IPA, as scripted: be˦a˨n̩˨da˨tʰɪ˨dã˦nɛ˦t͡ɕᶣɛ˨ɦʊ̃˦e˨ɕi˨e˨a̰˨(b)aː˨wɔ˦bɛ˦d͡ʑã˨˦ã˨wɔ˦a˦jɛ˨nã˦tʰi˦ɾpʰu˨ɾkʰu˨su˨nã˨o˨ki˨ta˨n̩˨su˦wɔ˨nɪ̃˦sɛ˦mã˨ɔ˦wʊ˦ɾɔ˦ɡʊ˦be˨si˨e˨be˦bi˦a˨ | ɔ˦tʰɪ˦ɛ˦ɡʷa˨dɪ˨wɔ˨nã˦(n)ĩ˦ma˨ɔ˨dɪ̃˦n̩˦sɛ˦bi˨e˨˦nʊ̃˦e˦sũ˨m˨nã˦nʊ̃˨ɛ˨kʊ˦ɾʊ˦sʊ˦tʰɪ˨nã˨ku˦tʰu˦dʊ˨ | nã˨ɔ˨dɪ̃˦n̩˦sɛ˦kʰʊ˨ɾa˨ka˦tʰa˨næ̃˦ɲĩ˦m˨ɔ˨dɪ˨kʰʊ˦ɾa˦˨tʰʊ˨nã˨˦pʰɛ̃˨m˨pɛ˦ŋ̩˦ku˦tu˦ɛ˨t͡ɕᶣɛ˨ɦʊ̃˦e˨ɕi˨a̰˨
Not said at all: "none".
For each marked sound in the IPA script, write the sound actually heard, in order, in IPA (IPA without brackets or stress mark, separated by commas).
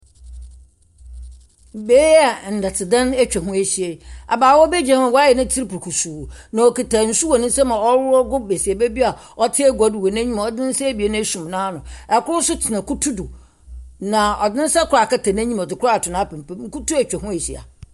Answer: b, ɲ